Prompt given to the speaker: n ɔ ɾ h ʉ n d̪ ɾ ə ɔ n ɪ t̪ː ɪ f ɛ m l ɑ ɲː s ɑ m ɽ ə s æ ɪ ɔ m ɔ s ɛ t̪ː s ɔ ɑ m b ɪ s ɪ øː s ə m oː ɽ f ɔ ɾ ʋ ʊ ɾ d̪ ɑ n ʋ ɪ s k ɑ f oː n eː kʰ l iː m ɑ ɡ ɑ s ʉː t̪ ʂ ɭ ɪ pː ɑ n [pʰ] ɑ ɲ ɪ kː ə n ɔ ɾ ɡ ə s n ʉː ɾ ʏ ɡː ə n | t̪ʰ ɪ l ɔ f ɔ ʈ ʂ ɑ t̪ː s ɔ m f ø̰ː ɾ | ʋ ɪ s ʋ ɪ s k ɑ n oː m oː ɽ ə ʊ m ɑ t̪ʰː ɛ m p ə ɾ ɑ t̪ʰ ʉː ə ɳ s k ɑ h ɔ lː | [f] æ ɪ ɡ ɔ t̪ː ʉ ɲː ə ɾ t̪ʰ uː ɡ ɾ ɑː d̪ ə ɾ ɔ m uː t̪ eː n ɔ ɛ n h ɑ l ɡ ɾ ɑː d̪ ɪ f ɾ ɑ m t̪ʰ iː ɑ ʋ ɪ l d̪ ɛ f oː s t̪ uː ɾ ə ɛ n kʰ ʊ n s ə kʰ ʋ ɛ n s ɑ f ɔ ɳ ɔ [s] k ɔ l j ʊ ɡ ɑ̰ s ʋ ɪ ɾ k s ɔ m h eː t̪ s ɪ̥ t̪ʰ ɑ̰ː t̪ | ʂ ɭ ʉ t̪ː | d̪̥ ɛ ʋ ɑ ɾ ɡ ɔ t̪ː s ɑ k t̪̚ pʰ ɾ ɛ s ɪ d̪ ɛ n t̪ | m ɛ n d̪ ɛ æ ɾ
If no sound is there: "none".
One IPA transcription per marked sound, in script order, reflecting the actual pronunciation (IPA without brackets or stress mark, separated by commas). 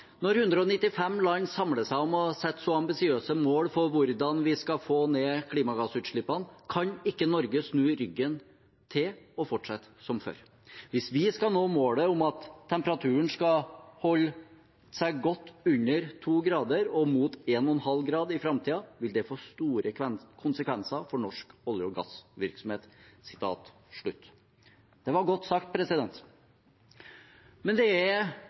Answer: kʰ, s, ʂ